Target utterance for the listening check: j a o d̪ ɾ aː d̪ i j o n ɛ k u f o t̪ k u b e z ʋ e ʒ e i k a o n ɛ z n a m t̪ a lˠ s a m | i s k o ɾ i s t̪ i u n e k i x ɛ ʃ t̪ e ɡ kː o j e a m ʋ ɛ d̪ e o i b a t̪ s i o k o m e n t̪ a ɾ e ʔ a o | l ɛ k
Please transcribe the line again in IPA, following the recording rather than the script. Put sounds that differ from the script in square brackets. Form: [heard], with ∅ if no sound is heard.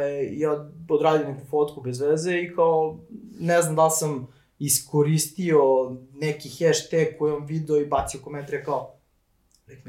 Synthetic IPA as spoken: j a o d̪ ɾ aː d̪ i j o n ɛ k u f o t̪ k u b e z ʋ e [z] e i k a o n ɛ z n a m [d̪] a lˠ s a m | i s k o ɾ i s t̪ i [o] n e k i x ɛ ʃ t̪ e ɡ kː o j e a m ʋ [i] d̪ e o i b a t̪ s i o k o m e n t̪ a ɾ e [k] a o | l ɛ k